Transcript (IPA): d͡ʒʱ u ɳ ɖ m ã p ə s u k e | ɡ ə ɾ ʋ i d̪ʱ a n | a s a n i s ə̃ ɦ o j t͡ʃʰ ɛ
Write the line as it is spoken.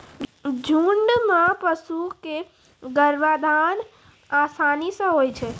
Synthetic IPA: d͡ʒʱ u ɳ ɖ m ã p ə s u k e | ɡ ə ɾ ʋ a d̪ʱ a n | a s a n i s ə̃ ɦ o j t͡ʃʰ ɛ

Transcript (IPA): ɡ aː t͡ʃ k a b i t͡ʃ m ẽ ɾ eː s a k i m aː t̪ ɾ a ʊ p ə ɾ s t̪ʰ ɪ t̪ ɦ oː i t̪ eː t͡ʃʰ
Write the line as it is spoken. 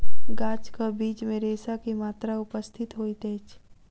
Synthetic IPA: ɡ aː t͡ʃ k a b iː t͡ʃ m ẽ ɾ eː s a k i m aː t̪ ɾ a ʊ p ə s t̪ʰ ɪ t̪ ɦ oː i t̪ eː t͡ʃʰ

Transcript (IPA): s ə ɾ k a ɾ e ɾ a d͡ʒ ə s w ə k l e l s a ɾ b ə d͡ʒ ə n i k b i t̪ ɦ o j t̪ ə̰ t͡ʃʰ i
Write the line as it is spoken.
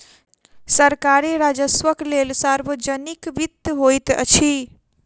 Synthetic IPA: s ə ɾ k a ɾ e ɾ a d͡ʒ ə s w ə k l e l s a ɾ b ə d͡ʒ ə n i k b i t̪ ɦ o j t̪ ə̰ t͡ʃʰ i

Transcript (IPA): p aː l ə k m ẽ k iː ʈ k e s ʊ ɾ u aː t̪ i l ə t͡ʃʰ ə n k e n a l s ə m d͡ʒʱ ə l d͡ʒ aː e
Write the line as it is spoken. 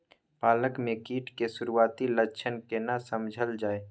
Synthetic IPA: p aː l ə k m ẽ k iː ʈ k e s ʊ ɾ u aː t̪ i l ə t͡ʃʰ ə n k e n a s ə m d͡ʒʱ ə l d͡ʒ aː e

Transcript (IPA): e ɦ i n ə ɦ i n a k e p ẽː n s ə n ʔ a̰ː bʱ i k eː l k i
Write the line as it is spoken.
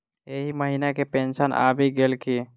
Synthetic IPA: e ɦ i m ə ɦ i n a k e p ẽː n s ə n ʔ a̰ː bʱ i ɡ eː l k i

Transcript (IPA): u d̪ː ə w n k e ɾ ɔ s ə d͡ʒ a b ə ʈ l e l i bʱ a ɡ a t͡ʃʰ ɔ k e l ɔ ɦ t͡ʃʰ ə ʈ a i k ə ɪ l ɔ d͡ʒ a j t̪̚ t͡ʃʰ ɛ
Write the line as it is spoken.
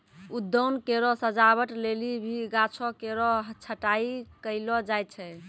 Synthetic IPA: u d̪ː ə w n k e ɾ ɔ s ə d͡ʒ a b ə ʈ l e l i bʱ i ɡ a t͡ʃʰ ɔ k e ɾ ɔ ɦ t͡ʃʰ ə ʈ a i k ə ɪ l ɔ d͡ʒ a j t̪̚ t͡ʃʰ ɛ

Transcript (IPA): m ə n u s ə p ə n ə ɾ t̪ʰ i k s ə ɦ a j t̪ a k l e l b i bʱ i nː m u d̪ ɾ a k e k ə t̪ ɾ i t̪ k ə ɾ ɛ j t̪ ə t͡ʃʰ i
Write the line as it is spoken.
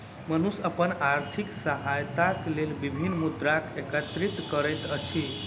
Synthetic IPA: m ə n u s ə p ə n a ɾ t̪ʰ i k s ə ɦ a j t̪ a k l e l b i bʱ i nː m u d̪ ɾ a k e k ə t̪ ɾ i t̪ k ə ɾ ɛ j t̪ ə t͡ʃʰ i

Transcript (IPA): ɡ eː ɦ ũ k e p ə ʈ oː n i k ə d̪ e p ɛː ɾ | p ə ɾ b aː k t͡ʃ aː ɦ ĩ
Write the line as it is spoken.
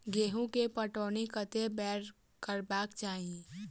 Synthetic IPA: ɡ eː ɦ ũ k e p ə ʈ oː n i k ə t̪ e b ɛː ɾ | k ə ɾ b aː k t͡ʃ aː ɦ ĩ

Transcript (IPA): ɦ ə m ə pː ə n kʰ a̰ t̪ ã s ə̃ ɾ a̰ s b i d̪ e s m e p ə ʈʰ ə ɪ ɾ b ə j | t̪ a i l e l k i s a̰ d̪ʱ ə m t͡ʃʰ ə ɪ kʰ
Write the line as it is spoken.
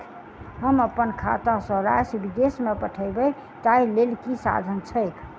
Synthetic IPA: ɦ ə m ə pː ə n kʰ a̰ t̪ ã s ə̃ ɾ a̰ s b i d̪ e s m e p ə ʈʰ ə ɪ b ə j | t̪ a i l e l k i s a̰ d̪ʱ ə n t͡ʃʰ ə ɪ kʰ

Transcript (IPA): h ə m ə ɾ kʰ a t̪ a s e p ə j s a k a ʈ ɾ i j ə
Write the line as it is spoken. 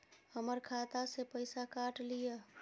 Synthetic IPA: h ə m ə ɾ kʰ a t̪ a s e p ə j s a k a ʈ l i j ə

